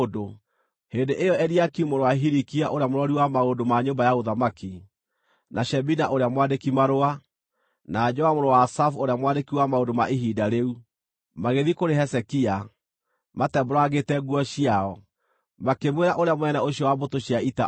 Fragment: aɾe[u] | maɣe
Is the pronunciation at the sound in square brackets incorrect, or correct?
correct